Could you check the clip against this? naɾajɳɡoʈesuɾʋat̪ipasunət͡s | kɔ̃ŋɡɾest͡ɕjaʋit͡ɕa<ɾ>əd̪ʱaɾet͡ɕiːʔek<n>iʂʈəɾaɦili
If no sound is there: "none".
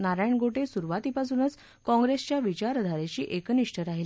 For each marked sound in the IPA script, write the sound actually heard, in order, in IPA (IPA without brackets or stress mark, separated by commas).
ɾ, n